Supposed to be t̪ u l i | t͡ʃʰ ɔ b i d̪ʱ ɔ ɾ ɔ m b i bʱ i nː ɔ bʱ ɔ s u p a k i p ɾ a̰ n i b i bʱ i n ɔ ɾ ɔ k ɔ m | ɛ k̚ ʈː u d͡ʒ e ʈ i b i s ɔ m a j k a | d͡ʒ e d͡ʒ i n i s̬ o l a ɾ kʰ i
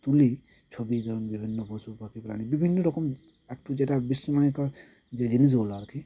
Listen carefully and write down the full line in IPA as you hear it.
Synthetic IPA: t̪ u l i | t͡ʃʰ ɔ b i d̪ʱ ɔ ɾ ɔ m b i bʱ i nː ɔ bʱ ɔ s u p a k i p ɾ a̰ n i b i bʱ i nː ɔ ɾ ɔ k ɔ m | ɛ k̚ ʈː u d͡ʒ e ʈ a b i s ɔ m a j k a | d͡ʒ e d͡ʒ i n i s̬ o l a ɾ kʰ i

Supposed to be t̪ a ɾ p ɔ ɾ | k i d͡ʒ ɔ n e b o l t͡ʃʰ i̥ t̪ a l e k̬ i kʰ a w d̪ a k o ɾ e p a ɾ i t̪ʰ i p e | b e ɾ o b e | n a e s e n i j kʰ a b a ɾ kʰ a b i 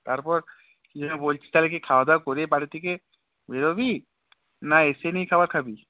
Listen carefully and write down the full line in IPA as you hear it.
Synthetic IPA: t̪ a ɾ p ɔ ɾ | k i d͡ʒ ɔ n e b o l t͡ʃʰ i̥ t̪ a l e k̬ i kʰ a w d̪ a k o ɾ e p a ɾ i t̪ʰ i k e | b e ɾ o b i | n a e s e n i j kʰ a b a ɾ kʰ a b i

